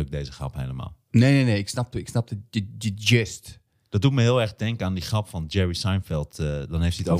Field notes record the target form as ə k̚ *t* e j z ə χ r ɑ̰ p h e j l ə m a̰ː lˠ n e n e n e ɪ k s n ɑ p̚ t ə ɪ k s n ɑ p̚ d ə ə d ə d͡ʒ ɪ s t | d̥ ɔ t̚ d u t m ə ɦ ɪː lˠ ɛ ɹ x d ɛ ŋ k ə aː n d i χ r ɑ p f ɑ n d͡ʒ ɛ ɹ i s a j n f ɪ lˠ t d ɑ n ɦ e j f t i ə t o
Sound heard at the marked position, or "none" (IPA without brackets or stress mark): d